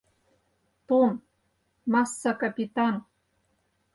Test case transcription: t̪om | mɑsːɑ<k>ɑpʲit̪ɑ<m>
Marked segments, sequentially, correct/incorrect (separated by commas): correct, incorrect